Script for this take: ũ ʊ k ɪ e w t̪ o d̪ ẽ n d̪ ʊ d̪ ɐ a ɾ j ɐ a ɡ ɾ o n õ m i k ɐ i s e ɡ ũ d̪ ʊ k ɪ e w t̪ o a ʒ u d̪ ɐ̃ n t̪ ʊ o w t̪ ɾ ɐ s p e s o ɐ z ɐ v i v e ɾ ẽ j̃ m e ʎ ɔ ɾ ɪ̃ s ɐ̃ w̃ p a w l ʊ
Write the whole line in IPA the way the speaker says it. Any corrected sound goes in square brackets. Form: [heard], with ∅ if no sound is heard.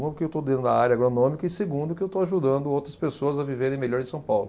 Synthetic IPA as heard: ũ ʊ k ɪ e w t̪ o d̪ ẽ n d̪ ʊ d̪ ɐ a ɾ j ɐ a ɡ ɾ o n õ m i k ɐ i s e ɡ ũ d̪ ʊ k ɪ e w t̪ o a ʒ u d̪ ɐ̃ n [d̪] ʊ o w t̪ ɾ ɐ s p e s o ɐ z ɐ v i v e ɾ ẽ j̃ m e ʎ ɔ ɾ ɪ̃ s ɐ̃ w̃ p a w l ʊ

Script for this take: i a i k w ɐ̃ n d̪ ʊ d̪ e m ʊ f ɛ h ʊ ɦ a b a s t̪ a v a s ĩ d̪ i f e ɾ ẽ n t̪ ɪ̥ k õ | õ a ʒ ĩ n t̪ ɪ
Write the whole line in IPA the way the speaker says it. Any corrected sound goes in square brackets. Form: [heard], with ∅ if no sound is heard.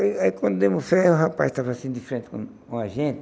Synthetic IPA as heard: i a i k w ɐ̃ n d̪ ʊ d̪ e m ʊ f ɛ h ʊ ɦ a [p] a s t̪ a v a s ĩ d̪ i f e ɾ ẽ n t̪ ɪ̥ k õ | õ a ʒ [ẽ] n t̪ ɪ

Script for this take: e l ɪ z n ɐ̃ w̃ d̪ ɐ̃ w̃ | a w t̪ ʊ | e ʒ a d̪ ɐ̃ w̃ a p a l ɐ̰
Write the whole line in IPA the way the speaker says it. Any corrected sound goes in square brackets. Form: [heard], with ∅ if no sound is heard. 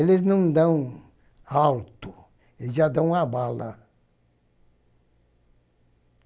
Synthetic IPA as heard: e l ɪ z n ɐ̃ w̃ d̪ ɐ̃ w̃ | a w t̪ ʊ | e ʒ a d̪ ɐ̃ w̃ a [b] a l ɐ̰

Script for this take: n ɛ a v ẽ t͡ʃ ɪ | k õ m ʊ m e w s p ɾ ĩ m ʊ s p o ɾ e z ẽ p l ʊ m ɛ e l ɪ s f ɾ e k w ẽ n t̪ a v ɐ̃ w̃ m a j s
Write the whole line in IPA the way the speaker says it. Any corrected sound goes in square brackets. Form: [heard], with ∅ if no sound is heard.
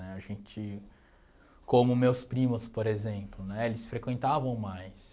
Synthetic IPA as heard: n ɛ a [ʒ] ẽ t͡ʃ ɪ | k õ m ʊ m e w s p ɾ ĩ m ʊ s p o ɾ e z ẽ p l ʊ [n] ɛ e l ɪ s f ɾ e k w ẽ n t̪ a v ɐ̃ w̃ m a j s

